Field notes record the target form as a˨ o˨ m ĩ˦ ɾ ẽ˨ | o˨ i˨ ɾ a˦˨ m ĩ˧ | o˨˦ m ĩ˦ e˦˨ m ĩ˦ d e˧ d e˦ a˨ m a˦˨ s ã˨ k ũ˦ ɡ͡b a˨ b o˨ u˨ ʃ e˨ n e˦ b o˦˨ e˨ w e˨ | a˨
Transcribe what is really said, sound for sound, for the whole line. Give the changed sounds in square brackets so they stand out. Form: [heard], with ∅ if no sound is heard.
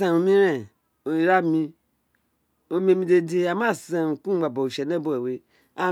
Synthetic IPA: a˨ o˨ m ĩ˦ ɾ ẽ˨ | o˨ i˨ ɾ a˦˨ m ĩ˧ | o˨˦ m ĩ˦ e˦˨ m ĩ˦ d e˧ d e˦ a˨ m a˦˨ s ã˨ k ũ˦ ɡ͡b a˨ b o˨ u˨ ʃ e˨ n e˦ b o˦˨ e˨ w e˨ | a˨